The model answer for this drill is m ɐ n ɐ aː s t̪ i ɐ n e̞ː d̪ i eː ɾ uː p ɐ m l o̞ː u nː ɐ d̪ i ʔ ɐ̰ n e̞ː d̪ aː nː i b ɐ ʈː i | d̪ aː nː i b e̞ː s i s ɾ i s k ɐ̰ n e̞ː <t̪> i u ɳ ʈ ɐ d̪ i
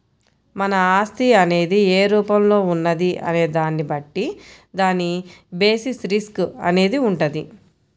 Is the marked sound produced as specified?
no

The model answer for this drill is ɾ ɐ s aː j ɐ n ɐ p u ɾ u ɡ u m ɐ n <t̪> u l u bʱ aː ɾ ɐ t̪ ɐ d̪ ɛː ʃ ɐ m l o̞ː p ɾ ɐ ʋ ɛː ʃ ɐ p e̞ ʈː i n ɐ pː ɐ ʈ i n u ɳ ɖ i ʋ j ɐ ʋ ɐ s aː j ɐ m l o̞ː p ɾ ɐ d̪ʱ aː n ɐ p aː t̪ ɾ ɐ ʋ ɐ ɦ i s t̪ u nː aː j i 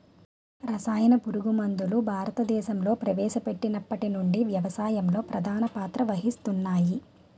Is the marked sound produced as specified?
no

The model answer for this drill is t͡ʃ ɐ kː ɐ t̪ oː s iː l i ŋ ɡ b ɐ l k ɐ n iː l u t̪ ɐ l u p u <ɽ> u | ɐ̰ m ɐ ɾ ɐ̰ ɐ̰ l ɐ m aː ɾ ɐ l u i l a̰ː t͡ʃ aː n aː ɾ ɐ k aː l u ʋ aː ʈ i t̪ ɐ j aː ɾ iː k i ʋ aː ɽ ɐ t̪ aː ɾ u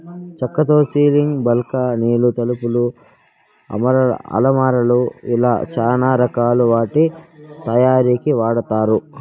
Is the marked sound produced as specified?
no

